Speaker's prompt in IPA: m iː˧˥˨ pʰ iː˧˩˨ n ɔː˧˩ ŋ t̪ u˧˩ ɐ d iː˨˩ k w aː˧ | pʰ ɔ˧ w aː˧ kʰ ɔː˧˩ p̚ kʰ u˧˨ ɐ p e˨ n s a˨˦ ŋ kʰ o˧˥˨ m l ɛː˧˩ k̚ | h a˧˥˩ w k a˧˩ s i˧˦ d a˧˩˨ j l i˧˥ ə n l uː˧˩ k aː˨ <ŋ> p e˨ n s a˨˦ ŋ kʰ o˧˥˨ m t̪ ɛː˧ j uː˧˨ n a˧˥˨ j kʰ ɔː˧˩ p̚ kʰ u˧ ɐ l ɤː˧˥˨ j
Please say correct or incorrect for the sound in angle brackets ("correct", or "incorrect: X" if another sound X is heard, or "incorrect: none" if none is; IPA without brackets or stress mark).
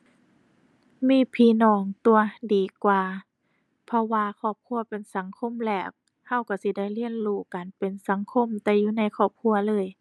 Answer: incorrect: n